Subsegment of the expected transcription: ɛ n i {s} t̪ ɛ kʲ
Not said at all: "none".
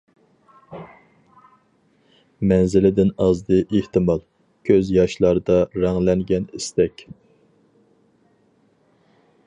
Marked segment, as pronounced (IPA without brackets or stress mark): s